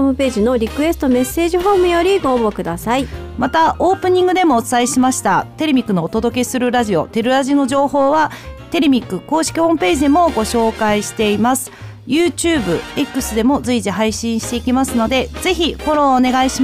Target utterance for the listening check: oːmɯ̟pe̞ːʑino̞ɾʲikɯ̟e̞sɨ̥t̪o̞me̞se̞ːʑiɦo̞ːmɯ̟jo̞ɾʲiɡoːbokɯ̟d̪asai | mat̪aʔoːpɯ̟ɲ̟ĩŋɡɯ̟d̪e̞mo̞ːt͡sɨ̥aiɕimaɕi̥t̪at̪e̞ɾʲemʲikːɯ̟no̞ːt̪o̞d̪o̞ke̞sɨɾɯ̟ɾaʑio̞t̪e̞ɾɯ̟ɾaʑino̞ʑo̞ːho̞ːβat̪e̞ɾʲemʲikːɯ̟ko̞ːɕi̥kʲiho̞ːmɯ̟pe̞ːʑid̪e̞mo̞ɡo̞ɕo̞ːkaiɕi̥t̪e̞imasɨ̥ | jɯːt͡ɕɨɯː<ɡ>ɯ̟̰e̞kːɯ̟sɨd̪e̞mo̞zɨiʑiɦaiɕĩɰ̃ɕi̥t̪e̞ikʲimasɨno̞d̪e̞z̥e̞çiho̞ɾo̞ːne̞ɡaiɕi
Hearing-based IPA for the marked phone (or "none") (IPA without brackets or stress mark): b